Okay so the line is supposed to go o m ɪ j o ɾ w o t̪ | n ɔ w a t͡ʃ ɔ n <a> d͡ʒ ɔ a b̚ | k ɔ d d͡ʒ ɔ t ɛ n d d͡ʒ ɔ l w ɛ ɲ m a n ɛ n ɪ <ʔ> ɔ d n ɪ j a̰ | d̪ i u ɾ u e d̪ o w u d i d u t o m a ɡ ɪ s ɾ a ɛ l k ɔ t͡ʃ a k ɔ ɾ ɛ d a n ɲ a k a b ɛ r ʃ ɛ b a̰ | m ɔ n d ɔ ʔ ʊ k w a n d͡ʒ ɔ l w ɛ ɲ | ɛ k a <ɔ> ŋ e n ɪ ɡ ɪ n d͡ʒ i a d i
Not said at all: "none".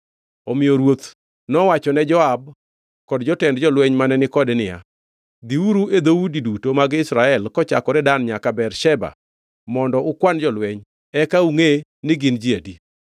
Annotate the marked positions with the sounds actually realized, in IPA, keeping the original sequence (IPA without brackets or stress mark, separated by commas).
ɛ, k, u